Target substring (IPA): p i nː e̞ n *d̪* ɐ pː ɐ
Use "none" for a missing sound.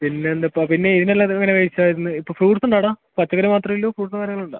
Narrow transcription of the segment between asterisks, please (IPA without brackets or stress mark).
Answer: d̪